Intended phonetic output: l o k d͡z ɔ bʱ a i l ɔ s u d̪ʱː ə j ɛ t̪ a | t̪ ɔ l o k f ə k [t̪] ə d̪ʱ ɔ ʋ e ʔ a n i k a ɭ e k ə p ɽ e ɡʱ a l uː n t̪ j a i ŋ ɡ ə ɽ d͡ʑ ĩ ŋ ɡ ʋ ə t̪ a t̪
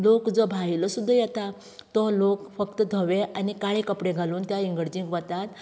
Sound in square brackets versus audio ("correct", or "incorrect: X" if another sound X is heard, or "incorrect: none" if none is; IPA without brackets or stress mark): correct